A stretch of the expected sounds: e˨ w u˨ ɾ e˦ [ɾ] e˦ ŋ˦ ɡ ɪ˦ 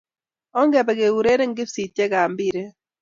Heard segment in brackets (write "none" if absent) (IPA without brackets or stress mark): ɾ